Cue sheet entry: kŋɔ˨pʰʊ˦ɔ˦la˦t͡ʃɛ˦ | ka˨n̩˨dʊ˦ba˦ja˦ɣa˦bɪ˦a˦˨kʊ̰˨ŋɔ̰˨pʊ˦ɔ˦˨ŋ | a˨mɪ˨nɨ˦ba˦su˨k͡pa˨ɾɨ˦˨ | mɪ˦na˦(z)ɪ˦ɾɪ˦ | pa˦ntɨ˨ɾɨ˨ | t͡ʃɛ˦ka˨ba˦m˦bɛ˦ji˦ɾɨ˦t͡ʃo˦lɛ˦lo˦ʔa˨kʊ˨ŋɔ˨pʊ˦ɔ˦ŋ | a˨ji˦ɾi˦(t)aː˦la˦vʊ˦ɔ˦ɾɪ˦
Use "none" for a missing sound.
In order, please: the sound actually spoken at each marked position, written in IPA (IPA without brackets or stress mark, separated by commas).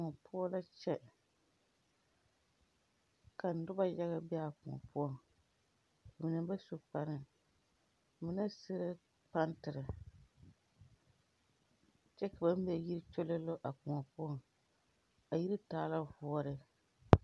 s, t